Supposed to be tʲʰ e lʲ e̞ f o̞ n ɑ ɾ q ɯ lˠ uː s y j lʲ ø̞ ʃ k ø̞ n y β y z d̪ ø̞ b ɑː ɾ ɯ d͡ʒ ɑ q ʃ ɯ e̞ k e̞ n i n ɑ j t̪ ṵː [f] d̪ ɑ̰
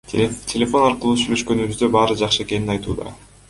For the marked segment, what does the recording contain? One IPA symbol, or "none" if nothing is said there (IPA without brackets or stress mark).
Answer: none